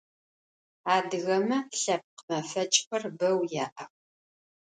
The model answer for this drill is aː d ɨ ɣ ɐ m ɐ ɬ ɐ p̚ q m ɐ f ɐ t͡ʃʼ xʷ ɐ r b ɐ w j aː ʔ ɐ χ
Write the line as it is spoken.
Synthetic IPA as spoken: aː d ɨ ɣ ɐ m ɐ ɬ ɐ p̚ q m ɐ f ɐ t͡ʃʼ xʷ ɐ r b ɐ w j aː ʔ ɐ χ